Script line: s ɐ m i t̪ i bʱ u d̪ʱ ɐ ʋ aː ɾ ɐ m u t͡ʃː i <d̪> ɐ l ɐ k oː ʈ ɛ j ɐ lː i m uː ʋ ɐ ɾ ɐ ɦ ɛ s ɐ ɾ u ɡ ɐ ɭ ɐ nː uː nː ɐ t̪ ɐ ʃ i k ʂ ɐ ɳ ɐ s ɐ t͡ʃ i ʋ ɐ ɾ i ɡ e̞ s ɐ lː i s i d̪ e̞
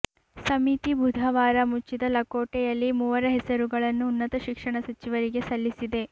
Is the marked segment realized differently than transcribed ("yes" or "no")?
no